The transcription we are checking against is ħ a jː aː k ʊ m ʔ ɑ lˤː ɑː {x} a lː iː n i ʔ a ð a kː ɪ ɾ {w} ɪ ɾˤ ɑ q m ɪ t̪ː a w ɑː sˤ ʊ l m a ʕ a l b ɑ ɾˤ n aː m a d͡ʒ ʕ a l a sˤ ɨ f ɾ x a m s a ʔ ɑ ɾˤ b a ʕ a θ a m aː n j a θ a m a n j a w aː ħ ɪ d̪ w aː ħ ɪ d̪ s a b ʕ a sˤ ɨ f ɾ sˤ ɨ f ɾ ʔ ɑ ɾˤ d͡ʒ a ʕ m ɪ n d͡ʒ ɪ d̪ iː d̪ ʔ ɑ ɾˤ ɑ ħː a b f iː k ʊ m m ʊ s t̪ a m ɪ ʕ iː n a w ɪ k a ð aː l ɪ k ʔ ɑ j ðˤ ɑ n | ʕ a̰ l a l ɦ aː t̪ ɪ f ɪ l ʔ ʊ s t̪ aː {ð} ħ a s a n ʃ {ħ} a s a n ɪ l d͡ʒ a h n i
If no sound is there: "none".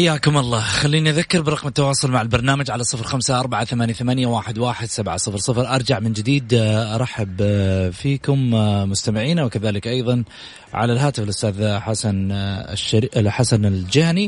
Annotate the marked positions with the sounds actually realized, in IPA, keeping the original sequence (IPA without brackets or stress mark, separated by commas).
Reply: x, b, ð, ħ